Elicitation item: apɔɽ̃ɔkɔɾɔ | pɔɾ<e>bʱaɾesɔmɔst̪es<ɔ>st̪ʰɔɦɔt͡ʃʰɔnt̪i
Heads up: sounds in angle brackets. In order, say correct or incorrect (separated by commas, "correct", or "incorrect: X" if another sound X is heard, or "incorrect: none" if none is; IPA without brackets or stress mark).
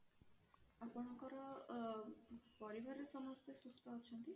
incorrect: i, incorrect: u